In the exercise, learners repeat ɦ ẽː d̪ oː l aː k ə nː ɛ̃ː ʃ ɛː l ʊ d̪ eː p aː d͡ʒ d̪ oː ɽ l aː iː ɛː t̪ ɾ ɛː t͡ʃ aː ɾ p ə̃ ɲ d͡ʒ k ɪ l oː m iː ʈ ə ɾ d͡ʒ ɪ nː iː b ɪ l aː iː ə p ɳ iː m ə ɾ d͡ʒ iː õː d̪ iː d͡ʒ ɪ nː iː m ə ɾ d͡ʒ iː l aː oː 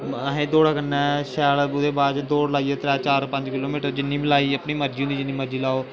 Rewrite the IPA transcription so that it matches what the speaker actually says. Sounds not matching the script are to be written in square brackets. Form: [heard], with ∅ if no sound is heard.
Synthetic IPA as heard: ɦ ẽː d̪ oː [ɽ] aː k ə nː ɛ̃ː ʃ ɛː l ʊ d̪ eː [b] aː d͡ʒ d̪ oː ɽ l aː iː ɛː t̪ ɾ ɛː t͡ʃ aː ɾ p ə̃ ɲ d͡ʒ k ɪ l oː m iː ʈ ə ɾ d͡ʒ ɪ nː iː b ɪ l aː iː ə p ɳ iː m ə ɾ d͡ʒ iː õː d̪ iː d͡ʒ ɪ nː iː m ə ɾ d͡ʒ iː l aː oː